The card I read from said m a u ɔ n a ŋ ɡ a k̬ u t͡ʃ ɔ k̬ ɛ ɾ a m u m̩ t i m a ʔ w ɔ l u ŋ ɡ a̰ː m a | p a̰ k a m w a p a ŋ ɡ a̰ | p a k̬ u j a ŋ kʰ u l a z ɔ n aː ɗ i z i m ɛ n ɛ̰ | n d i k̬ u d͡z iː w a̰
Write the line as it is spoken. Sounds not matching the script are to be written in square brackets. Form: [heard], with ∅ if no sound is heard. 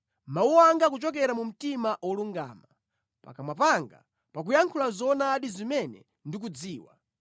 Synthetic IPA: m a u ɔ [∅] a ŋ ɡ a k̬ u t͡ʃ ɔ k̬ ɛ ɾ a m u m̩ t i m a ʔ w ɔ l u ŋ ɡ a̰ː m a | p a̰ k a m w a p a ŋ ɡ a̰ | p a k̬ u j a ŋ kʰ u l a z ɔ n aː ɗ i z i m ɛ n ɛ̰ | n d i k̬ u d͡z iː w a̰